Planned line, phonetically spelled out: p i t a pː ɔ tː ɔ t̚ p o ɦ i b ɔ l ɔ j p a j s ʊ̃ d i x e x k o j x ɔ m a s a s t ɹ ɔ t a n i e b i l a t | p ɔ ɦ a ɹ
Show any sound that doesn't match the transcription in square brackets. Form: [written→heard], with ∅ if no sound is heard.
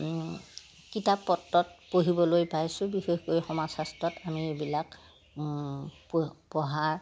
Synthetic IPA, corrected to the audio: [p→k] i t a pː ɔ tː ɔ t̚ p o ɦ i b ɔ l [ɔ→o] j p a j s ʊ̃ [d→b] i x e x k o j x ɔ m a s a s t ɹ ɔ t a [n→m] i e b i l a [t→k] | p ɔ ɦ a ɹ